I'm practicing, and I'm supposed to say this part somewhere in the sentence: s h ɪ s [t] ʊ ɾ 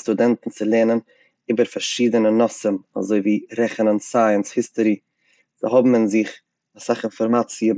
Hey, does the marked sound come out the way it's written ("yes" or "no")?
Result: yes